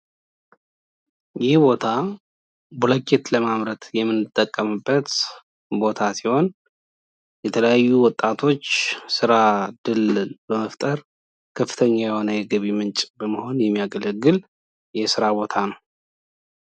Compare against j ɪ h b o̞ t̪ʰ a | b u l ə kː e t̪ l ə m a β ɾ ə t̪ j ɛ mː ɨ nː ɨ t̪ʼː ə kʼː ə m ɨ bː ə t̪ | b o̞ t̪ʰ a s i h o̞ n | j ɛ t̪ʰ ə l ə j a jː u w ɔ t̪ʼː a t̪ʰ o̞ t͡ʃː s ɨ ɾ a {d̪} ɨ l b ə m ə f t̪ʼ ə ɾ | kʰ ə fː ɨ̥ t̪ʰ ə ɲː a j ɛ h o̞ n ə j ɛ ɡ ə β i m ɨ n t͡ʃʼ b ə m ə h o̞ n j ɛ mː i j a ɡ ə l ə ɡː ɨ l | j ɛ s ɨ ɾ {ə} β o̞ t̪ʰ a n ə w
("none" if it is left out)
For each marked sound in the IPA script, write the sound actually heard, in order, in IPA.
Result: d̪, a

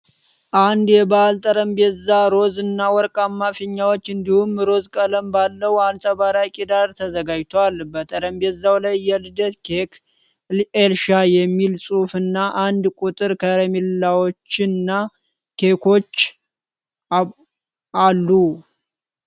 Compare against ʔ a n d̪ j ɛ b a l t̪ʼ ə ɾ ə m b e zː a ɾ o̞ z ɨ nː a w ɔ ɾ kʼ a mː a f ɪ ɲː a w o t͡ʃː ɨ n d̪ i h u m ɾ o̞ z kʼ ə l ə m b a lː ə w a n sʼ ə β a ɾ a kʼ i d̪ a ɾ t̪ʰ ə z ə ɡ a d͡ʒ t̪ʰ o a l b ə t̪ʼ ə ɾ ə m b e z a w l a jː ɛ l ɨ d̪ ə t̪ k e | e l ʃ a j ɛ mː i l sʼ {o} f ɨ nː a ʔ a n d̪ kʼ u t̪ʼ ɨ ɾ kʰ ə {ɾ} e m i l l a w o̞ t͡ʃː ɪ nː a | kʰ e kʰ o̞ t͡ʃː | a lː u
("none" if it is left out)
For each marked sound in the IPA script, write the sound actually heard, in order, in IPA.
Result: u, ɾ

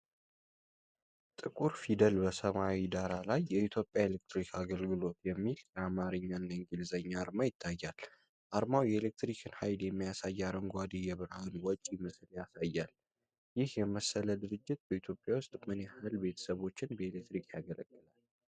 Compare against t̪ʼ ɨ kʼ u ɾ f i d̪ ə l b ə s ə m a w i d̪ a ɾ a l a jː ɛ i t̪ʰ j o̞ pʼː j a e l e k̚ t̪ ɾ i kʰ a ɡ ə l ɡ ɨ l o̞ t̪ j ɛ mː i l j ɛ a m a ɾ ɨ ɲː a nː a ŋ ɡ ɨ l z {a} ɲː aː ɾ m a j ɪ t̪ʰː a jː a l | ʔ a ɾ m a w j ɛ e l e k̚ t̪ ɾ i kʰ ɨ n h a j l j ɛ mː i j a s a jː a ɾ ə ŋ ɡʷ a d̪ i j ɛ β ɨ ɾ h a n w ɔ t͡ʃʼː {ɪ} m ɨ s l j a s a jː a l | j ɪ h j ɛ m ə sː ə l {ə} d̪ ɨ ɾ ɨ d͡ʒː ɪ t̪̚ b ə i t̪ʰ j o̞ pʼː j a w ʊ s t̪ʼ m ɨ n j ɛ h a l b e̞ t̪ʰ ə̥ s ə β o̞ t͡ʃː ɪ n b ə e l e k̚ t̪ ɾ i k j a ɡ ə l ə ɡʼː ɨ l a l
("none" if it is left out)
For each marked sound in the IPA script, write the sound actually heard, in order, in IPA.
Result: ə, i, ə

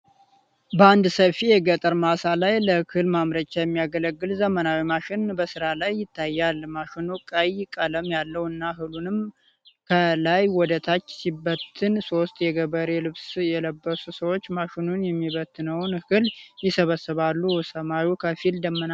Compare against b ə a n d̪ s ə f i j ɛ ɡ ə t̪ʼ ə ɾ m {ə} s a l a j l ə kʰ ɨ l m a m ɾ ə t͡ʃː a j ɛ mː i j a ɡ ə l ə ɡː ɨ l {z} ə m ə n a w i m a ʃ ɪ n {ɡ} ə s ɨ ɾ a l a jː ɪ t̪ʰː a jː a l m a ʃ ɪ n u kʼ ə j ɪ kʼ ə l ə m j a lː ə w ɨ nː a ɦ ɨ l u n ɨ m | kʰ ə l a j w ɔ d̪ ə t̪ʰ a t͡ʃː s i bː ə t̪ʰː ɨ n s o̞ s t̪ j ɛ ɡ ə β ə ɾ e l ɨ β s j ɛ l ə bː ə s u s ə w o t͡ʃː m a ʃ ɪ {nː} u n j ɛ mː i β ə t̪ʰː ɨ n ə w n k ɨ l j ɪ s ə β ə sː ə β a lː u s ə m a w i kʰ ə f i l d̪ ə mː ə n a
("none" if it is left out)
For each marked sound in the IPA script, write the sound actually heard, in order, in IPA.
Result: a, z, b, n

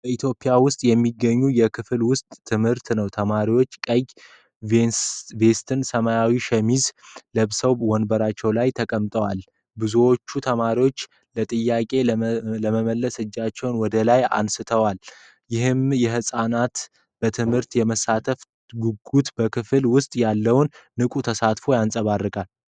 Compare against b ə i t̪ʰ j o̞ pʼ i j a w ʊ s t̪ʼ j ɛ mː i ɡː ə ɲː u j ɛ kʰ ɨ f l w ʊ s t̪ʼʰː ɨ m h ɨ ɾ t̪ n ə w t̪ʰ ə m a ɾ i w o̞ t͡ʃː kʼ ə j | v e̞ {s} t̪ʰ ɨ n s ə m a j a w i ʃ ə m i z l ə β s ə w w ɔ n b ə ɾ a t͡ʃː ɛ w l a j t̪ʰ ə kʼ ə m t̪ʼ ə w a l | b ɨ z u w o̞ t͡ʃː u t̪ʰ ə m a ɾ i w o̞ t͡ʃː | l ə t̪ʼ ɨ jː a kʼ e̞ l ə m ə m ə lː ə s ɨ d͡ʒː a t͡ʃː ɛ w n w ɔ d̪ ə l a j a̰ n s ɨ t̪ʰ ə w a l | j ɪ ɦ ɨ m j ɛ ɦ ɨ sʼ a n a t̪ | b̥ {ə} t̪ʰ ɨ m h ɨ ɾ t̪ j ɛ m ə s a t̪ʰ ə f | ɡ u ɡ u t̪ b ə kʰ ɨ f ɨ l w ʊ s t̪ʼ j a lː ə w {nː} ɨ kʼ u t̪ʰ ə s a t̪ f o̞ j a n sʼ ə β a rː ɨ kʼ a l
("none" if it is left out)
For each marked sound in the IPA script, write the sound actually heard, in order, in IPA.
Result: s, ə, nː

